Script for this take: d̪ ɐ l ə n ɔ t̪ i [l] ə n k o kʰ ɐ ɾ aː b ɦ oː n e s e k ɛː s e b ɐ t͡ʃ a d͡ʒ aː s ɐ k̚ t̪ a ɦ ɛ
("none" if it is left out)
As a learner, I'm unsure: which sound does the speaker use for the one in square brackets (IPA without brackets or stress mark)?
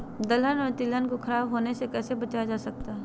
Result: l